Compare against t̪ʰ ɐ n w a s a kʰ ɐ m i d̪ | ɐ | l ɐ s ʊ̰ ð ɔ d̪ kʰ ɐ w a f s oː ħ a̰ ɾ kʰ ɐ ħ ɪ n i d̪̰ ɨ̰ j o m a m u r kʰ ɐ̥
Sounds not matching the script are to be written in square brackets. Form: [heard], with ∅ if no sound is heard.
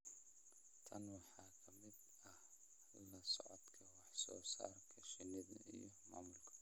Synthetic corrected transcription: t̪ʰ ɐ n w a [ħ] a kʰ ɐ m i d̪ | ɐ | l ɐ s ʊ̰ [ʕ] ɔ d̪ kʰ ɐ w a [ħ] s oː [s] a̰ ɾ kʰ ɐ [ʃ] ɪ n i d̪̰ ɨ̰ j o m a m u [l] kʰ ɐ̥